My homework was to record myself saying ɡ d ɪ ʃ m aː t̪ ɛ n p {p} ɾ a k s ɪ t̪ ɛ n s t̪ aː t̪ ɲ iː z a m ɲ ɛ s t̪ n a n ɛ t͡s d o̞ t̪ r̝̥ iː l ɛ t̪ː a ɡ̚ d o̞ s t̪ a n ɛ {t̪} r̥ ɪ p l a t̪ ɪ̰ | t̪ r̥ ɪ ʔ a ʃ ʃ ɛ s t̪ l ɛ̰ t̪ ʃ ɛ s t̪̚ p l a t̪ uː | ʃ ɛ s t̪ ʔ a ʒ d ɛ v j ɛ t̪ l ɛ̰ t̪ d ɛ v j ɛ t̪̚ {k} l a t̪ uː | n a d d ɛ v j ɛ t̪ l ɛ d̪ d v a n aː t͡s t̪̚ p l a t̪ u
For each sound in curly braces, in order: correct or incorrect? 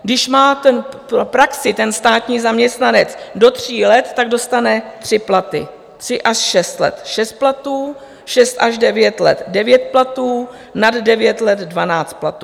correct, correct, incorrect: p

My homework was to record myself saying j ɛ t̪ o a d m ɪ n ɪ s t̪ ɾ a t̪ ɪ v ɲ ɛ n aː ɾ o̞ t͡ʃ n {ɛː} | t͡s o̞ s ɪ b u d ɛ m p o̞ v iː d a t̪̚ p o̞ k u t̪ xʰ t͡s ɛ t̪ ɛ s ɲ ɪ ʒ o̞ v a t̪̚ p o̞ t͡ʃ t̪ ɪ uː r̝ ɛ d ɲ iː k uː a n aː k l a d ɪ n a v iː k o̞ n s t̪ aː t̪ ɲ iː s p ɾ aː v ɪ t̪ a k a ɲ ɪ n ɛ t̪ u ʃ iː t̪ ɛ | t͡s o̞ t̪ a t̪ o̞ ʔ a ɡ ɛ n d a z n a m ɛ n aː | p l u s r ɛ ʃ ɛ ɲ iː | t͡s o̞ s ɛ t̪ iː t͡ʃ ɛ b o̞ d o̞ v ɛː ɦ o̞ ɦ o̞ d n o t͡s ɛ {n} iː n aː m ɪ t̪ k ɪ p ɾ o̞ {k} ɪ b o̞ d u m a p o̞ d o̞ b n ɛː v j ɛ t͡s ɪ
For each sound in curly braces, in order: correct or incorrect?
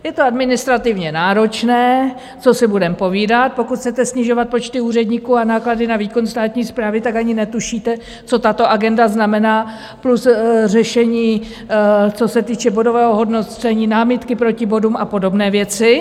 correct, incorrect: ɲ, incorrect: c

